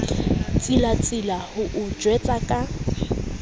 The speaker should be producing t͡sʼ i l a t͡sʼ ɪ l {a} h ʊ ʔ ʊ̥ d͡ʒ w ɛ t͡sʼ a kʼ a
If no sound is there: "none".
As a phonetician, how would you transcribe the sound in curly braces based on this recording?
a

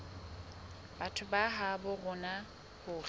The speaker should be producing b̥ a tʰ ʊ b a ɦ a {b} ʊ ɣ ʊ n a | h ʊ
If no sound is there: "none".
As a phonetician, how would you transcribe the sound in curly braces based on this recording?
b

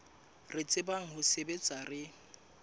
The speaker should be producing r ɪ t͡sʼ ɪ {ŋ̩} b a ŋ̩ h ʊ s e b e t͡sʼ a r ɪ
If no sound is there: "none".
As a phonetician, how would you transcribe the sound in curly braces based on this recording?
none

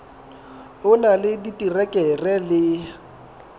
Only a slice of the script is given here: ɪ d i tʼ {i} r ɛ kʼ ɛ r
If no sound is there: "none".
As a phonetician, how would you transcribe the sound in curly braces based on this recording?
i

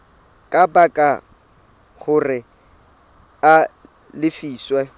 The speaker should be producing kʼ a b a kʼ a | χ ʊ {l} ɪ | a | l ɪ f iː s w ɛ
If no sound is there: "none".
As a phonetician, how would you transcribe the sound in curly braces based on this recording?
r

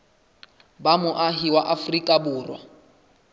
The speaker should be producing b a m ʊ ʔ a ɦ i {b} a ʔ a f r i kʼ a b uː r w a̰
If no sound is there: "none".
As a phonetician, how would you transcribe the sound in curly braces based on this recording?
w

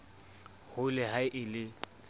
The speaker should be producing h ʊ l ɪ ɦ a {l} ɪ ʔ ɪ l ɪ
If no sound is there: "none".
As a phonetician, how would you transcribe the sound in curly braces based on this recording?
none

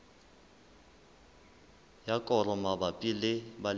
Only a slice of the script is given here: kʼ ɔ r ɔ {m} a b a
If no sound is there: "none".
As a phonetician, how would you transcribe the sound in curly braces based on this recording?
m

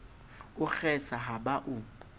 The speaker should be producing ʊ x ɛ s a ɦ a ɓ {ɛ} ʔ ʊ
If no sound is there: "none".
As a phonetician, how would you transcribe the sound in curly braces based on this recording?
a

